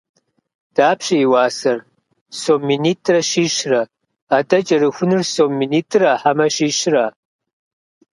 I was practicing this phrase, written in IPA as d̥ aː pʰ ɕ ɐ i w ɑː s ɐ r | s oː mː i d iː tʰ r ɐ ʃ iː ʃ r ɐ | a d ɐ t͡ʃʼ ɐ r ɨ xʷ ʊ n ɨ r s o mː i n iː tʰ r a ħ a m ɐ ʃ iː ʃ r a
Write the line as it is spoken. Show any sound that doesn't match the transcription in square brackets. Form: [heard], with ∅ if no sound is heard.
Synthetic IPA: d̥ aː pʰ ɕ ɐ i w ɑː s ɐ r | s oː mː i [n] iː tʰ r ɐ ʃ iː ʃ r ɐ | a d ɐ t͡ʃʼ ɐ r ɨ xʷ ʊ n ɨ r s o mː i n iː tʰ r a ħ a m ɐ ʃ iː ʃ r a